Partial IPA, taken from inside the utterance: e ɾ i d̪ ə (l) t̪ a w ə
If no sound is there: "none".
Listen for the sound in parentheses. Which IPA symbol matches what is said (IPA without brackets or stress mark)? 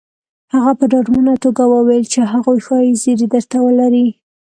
ɾ